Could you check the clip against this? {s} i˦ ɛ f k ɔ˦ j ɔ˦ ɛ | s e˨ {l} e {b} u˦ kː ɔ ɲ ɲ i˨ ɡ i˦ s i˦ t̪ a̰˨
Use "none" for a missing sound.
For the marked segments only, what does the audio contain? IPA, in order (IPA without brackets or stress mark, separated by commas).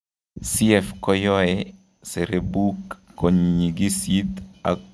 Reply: s, ɾ, b